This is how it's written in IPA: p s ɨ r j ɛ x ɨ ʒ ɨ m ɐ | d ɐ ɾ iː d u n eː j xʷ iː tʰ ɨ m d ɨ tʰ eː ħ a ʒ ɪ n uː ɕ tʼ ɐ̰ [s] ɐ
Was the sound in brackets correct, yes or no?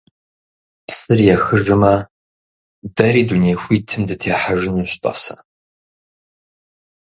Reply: yes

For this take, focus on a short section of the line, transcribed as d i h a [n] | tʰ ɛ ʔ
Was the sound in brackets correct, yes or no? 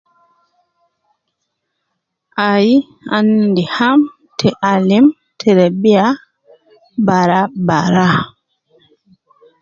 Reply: no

